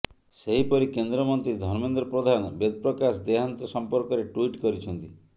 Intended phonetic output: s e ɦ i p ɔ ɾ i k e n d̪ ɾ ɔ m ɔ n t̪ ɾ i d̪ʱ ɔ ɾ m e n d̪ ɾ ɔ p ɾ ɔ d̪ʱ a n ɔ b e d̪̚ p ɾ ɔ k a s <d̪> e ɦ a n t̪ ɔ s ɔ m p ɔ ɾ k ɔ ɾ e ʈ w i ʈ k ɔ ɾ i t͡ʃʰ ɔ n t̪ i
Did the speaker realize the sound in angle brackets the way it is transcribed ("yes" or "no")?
yes